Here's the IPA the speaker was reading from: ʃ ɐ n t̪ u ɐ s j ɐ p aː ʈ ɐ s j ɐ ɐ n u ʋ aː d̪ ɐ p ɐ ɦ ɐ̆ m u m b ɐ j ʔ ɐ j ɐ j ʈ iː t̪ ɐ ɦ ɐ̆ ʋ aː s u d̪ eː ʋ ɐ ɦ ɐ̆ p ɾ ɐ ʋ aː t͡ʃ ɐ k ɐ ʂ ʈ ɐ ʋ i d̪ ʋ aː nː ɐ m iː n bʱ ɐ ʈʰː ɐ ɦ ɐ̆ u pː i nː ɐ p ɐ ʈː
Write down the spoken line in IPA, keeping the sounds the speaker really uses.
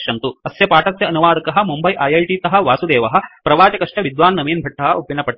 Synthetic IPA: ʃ ɐ n t̪ u ɐ s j ɐ p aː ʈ ɐ s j ɐ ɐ n u ʋ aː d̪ ɐ k ɐ ɦ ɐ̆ m u m b ɐ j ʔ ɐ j ɐ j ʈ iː t̪ ɐ ɦ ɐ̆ ʋ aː s u d̪ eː ʋ ɐ ɦ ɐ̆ p ɾ ɐ ʋ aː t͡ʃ ɐ k ɐ ʂ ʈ ɐ ʋ i d̪ ʋ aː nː ɐ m iː n bʱ ɐ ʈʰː ɐ ɦ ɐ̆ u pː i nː ɐ p ɐ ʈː